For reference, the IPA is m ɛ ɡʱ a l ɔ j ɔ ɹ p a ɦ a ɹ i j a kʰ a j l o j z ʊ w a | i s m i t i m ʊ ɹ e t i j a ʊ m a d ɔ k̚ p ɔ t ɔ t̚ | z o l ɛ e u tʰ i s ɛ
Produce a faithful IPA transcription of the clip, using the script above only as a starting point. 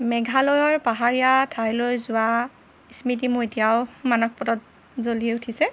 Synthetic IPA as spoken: m ɛ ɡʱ a l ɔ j ɔ ɹ p a ɦ a ɹ i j a tʰ a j l o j z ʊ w a | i s m i t i m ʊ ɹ e t i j a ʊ m a n ɔ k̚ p ɔ t ɔ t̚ | z o l i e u tʰ i s ɛ